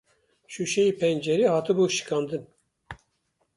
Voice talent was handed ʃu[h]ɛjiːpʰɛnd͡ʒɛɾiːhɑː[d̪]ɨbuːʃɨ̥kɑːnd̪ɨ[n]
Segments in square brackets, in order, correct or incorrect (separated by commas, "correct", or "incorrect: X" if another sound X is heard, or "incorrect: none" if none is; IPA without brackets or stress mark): incorrect: ʃ, incorrect: t̪, correct